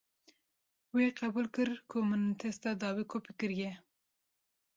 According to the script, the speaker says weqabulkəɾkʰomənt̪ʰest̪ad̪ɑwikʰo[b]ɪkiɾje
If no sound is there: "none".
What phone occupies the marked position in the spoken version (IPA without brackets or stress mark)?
p